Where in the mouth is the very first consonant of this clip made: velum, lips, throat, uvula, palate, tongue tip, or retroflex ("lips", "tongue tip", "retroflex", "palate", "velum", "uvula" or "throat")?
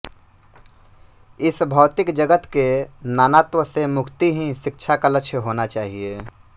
tongue tip